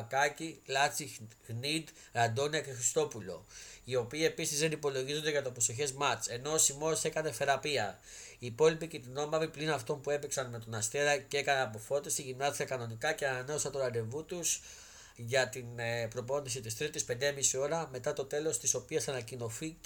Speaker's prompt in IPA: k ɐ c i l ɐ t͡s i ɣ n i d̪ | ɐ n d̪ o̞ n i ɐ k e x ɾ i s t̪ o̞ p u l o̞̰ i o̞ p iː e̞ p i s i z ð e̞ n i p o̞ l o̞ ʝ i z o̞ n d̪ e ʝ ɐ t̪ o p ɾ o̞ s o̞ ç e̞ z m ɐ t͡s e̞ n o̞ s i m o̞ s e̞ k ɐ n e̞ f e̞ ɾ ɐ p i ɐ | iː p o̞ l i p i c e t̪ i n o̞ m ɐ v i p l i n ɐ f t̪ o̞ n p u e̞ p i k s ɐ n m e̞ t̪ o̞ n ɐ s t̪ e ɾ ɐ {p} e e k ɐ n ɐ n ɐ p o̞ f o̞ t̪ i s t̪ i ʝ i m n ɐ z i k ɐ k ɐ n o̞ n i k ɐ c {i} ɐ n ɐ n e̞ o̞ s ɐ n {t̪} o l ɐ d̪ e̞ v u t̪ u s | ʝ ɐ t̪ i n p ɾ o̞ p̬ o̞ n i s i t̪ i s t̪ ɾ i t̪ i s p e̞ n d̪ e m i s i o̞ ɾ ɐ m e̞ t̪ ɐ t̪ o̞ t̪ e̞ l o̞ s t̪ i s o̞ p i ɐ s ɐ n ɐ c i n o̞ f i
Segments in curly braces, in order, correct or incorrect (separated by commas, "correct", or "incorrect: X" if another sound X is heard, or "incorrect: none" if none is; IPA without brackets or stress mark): incorrect: c, incorrect: e, correct